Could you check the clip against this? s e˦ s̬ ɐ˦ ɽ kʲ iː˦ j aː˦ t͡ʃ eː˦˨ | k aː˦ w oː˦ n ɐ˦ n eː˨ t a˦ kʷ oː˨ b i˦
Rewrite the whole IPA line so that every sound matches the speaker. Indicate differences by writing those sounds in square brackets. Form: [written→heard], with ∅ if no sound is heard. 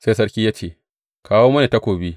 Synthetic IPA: s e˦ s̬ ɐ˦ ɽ kʲ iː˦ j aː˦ t͡ʃ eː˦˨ | k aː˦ w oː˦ [n→m] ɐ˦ n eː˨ t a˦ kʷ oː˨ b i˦